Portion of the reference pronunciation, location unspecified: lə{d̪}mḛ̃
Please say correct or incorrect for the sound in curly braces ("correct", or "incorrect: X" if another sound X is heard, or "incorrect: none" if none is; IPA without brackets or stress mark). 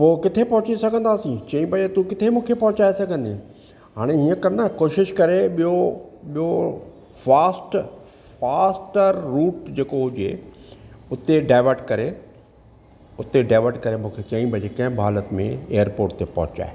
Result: incorrect: t̪